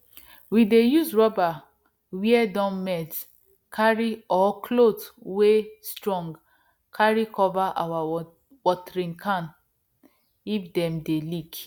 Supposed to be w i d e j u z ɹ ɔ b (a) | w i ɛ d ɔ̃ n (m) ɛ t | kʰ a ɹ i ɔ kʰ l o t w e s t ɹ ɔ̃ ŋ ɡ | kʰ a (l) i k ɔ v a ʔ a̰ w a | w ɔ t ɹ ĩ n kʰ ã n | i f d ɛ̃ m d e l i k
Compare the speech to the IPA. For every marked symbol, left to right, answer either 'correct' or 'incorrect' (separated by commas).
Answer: correct, correct, incorrect